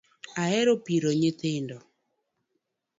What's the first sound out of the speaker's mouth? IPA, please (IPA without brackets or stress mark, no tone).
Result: a